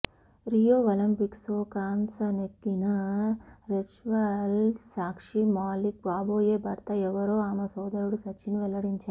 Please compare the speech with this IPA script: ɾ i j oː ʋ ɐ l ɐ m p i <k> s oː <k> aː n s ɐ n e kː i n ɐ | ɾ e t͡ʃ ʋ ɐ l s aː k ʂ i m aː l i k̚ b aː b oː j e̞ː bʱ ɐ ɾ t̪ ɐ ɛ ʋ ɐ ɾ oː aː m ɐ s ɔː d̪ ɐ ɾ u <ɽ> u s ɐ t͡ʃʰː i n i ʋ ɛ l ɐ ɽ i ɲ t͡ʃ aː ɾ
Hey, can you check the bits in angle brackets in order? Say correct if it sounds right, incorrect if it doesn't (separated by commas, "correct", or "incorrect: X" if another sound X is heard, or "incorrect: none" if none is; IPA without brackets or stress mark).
correct, correct, correct